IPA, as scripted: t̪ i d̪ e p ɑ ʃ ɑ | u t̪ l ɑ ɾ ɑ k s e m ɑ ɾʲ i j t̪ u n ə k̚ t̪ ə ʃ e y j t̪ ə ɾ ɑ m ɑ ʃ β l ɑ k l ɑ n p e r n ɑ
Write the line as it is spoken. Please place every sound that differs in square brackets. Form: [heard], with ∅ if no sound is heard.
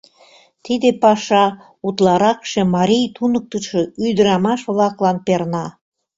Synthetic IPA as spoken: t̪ i d̪ e p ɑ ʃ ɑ | u t̪ l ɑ ɾ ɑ k [ʃ] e m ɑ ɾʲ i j t̪ u n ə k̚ t̪ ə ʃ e y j [d̪] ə ɾ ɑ m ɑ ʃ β l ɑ k l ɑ n p e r n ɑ